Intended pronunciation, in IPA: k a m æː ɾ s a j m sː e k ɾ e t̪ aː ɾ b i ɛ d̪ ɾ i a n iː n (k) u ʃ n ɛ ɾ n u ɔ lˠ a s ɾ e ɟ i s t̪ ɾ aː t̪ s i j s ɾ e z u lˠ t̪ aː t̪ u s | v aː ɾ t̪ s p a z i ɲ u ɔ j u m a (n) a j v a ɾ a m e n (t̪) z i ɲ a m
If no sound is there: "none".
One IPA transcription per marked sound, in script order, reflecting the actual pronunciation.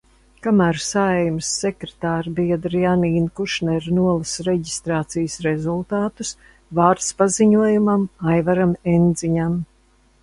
k, m, d̪

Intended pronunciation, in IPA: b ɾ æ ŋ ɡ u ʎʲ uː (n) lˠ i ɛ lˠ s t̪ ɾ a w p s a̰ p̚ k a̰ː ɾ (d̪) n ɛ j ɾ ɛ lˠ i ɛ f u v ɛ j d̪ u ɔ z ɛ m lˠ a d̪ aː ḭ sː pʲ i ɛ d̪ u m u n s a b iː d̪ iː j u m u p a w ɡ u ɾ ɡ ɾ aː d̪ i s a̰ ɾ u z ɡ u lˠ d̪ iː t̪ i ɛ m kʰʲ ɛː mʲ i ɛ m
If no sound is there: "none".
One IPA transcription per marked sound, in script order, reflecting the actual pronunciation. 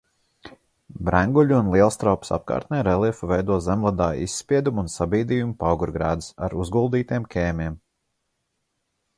n, t̪

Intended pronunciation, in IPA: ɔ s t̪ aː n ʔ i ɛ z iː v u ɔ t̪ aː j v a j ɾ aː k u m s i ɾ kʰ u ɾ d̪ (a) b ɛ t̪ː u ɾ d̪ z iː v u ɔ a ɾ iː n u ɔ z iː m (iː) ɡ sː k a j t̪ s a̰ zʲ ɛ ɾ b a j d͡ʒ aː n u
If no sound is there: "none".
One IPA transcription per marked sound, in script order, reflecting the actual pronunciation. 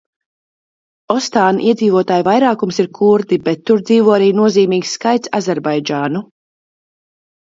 i, iː

